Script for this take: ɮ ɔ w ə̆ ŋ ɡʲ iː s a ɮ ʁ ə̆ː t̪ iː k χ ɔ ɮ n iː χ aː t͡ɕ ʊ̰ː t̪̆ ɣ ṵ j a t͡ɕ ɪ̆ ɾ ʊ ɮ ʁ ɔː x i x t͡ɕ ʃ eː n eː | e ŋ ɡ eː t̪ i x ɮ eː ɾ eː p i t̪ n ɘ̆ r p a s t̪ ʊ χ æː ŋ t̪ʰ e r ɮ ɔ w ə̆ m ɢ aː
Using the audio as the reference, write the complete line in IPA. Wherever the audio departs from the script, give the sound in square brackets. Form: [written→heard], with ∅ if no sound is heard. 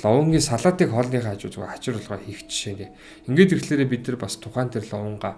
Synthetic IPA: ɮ ɔ w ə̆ ŋ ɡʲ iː s a ɮ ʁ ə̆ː t̪ iː k χ ɔ ɮ n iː χ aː t͡ɕ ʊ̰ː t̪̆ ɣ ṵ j a t͡ɕ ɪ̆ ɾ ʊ ɮ ʁ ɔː x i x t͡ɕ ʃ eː n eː | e ŋ ɡ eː t̪ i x ɮ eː ɾ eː p i t̪ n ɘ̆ r p a s [t̪→t̪ʰ] ʊ χ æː [ŋ→n] t̪ʰ e r ɮ ɔ w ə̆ [m→ɴ] ɢ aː